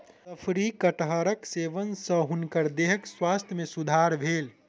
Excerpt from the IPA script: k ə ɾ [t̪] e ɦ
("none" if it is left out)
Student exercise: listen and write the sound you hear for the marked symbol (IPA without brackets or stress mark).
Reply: d̪